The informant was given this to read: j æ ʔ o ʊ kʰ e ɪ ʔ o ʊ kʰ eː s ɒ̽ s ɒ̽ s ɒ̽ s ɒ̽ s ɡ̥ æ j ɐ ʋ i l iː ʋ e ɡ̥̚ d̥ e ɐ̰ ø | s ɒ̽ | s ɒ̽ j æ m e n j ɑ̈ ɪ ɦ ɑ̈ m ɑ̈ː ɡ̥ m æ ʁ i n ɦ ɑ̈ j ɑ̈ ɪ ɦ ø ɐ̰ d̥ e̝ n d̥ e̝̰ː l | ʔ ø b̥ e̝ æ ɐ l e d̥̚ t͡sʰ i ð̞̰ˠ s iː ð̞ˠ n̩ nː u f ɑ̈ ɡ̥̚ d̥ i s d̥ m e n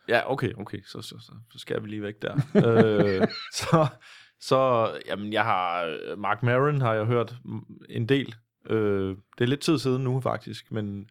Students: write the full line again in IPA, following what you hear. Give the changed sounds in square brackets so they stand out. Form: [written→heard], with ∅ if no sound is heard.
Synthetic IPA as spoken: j æ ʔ o ʊ kʰ e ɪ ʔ o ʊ kʰ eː s ɒ̽ s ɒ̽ s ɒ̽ s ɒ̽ s ɡ̥ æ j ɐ ʋ i l iː ʋ e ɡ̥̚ d̥ [e→æ] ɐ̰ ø | s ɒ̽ | s ɒ̽ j æ m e n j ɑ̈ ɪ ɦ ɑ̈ m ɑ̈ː ɡ̥ m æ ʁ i n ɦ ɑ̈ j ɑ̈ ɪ ɦ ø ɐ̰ d̥ e̝ n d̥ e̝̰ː l | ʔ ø [b̥→d̥] e̝ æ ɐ l e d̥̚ t͡sʰ i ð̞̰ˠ s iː ð̞ˠ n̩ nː u f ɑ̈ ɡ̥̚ d̥ i s [d̥→ɡ̥] m e n